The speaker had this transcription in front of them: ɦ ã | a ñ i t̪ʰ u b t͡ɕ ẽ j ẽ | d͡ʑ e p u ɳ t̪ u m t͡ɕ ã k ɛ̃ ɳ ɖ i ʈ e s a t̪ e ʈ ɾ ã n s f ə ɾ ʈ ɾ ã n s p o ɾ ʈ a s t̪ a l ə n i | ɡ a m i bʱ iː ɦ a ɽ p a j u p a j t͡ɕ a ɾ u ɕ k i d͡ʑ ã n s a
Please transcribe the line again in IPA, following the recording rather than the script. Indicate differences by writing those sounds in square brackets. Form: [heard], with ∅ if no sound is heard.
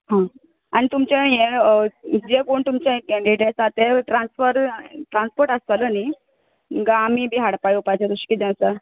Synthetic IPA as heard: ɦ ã | a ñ i [t̪] u [m] t͡ɕ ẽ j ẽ | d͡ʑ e [k] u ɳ t̪ u m t͡ɕ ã k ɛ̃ ɳ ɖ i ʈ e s a t̪ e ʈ ɾ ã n s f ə ɾ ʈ ɾ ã n s p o ɾ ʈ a s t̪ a l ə n i | ɡ a m i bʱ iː ɦ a ɽ p a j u p a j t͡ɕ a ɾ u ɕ k i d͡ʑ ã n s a